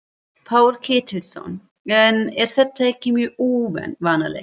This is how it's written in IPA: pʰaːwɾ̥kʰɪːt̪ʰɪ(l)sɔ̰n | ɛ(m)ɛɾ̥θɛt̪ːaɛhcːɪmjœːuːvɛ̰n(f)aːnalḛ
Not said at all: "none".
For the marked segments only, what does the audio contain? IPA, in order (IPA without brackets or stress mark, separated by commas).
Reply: l, n, v